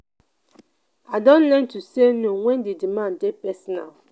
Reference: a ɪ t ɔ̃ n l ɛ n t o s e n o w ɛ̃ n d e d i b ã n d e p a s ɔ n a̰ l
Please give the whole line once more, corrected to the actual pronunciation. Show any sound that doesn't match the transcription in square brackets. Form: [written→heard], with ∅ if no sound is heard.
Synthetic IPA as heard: a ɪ [t→d] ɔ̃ n l ɛ n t [o→u] s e n o w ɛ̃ n d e d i [b→m] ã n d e p [a→ɛ] s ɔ n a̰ l